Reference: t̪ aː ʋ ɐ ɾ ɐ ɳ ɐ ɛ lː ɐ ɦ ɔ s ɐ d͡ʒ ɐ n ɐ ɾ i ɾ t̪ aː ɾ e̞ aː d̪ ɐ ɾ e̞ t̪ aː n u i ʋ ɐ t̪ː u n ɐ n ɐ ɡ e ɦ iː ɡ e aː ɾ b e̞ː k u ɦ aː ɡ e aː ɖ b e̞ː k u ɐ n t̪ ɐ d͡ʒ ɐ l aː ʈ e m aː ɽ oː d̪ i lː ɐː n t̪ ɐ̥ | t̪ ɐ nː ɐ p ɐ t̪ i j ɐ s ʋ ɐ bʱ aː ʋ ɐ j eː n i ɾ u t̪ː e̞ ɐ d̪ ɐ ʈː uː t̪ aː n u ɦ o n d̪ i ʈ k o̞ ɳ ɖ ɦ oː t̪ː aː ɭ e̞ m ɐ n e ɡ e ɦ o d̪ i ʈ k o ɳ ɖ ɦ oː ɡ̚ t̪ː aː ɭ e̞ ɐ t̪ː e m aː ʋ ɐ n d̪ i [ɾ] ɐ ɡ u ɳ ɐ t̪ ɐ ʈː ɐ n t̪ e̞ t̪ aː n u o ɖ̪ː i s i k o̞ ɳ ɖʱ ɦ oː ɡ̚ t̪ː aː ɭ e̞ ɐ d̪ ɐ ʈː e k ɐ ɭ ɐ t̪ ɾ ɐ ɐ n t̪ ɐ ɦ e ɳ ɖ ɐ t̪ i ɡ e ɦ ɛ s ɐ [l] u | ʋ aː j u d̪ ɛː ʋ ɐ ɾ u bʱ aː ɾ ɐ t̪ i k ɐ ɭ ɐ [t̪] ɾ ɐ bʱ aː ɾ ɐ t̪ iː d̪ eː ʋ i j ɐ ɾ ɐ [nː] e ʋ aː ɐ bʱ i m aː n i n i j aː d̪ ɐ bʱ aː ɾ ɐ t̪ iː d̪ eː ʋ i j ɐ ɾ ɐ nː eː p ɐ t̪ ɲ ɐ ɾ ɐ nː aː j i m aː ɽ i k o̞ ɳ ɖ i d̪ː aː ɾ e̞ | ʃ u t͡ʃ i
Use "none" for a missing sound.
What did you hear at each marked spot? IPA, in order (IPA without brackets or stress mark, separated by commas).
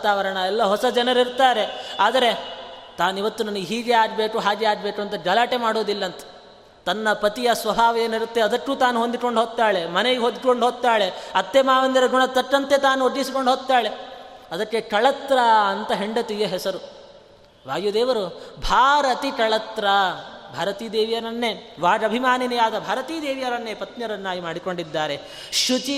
ɾ, ɾ, t̪, nː